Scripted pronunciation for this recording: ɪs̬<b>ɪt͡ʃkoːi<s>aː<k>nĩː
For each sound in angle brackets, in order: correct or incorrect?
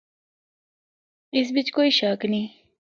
correct, incorrect: ʃ, correct

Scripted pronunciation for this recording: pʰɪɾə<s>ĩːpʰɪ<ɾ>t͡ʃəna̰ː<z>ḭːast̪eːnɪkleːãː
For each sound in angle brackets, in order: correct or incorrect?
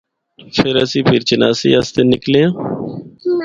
correct, correct, incorrect: s

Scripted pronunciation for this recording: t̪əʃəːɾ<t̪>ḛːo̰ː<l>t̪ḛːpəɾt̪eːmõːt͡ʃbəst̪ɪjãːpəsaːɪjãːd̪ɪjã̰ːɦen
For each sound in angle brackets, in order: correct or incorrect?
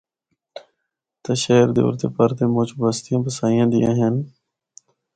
incorrect: d̪, incorrect: ɾ

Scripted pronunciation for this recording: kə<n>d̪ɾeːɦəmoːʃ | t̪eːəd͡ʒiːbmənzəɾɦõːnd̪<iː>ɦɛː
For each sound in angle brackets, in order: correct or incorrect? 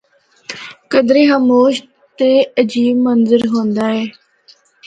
incorrect: none, incorrect: aː

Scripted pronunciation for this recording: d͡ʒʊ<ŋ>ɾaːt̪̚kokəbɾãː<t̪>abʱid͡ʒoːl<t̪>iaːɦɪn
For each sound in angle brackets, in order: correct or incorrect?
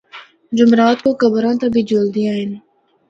incorrect: m, correct, incorrect: d̪

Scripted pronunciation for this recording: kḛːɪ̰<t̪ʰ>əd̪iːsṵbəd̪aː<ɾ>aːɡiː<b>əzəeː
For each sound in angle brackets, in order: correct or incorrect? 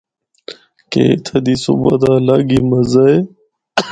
correct, incorrect: l, incorrect: m

